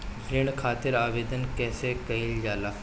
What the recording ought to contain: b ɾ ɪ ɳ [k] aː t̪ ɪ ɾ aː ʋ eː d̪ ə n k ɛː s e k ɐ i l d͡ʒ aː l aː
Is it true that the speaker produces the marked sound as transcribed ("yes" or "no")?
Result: no